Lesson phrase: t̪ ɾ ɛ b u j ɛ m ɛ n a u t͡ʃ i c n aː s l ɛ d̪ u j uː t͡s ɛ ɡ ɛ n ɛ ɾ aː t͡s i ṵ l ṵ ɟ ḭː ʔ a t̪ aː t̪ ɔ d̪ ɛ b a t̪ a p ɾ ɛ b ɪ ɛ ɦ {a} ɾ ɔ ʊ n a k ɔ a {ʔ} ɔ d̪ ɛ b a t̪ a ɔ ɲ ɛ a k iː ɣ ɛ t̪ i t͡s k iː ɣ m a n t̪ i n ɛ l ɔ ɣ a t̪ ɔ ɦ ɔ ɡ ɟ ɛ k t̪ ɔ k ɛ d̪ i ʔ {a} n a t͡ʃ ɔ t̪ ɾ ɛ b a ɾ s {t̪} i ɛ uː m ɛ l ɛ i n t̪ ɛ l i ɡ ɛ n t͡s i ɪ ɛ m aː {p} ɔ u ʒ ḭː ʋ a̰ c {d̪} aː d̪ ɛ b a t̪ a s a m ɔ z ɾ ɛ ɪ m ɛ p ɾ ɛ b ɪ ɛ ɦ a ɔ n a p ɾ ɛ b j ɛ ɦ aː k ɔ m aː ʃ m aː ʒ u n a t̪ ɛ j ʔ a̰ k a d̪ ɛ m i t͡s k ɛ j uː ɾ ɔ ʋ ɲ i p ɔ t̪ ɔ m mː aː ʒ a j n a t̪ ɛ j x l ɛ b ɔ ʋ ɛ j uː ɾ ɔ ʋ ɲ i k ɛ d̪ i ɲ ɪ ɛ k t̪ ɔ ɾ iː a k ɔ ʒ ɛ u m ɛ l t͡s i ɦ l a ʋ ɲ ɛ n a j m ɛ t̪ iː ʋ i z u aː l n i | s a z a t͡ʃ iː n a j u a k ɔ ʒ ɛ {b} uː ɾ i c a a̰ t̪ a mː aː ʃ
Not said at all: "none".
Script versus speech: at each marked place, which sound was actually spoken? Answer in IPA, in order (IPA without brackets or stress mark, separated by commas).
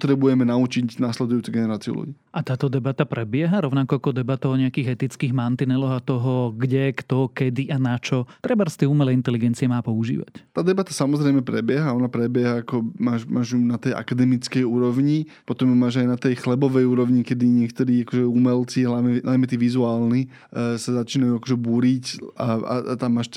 a, k, a, t̪, p, t̪, b